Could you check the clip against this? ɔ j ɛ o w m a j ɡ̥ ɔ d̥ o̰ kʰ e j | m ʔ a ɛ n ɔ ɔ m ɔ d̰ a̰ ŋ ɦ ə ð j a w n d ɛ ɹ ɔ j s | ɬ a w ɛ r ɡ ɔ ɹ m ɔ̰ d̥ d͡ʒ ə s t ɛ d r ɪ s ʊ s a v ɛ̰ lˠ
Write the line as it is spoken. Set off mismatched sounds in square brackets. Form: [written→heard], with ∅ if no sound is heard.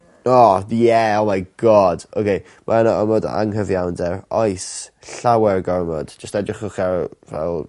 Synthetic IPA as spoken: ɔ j ɛ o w m a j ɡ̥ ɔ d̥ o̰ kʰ e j | m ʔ a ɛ n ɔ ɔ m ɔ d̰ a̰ ŋ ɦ ə [ð→v] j a w n d ɛ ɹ ɔ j s | ɬ a w ɛ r ɡ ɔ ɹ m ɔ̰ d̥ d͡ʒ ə s t ɛ d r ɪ [s→χ] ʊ [s→χ] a v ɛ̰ lˠ